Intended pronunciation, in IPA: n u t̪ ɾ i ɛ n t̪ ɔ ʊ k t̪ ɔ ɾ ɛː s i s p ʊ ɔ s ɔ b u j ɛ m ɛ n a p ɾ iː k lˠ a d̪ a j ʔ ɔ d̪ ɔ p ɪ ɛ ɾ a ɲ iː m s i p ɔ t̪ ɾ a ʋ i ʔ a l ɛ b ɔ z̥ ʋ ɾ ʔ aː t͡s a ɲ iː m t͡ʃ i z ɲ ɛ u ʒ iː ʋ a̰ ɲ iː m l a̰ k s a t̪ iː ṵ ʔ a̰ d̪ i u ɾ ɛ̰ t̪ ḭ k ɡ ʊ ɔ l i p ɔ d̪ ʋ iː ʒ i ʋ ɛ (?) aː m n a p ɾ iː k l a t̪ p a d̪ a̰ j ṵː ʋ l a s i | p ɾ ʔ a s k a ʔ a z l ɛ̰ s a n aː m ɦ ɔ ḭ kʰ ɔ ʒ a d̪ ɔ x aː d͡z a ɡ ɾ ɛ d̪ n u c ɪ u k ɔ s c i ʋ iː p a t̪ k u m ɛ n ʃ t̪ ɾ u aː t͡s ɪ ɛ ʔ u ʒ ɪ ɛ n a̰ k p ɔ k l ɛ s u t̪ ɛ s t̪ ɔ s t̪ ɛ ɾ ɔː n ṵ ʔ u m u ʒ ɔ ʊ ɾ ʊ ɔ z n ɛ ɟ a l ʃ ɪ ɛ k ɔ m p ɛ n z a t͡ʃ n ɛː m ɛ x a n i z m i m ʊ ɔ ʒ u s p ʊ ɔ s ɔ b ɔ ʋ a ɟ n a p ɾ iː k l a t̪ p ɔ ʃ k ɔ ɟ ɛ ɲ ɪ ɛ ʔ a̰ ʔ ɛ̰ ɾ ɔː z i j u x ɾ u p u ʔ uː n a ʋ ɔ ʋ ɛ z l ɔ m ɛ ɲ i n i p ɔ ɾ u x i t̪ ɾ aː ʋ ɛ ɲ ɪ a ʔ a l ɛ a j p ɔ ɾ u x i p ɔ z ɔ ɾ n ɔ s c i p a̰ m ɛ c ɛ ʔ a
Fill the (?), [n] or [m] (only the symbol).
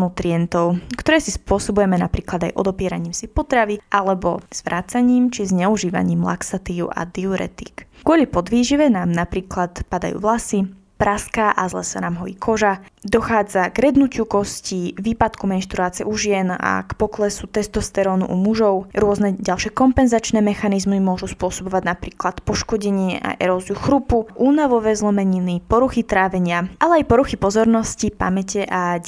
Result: n